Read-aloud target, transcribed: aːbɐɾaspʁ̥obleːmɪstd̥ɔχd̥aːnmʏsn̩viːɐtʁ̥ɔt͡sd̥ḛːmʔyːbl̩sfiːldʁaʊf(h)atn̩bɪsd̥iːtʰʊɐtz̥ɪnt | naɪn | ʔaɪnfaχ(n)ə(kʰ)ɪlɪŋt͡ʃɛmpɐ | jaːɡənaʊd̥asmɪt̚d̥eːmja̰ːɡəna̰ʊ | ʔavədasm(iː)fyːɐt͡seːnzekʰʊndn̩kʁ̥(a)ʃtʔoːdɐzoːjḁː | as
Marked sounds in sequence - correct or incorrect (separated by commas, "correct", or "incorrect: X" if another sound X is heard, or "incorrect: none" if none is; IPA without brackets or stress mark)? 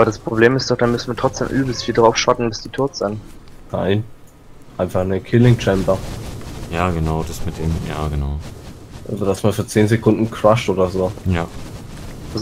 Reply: incorrect: ʃ, correct, correct, incorrect: aː, correct